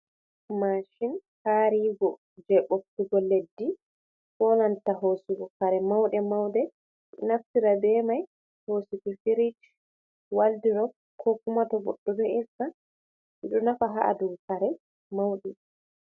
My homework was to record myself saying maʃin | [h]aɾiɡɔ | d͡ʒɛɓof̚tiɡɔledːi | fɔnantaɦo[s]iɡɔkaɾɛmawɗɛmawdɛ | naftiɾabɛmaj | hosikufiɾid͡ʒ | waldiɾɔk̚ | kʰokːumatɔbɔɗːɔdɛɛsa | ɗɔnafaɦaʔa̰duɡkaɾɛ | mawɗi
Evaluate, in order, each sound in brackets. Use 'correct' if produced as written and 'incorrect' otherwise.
correct, correct

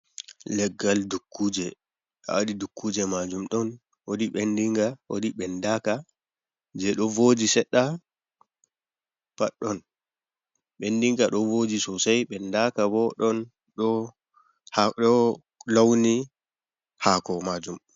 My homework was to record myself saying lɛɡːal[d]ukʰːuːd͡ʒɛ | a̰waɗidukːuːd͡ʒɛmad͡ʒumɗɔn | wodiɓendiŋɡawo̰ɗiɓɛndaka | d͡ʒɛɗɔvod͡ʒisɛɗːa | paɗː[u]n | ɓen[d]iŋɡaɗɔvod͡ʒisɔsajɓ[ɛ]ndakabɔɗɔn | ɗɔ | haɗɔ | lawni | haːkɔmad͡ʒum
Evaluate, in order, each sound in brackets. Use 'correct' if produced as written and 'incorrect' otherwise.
correct, incorrect, correct, correct

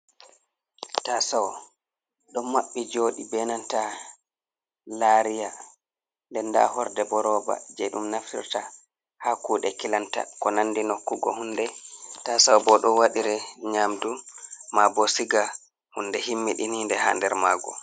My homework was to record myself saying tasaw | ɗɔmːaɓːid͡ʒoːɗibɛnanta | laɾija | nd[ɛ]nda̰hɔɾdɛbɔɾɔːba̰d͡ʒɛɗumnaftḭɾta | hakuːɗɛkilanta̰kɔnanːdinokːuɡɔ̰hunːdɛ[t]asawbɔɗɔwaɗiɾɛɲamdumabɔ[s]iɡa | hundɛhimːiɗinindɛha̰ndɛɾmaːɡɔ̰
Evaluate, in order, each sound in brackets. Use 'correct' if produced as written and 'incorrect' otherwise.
correct, correct, correct

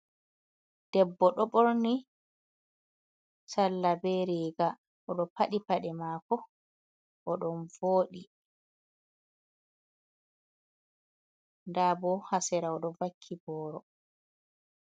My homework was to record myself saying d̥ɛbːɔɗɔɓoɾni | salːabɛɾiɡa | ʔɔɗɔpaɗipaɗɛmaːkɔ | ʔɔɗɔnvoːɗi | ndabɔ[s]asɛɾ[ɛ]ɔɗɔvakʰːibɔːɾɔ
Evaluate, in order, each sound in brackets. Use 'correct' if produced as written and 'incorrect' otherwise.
incorrect, incorrect

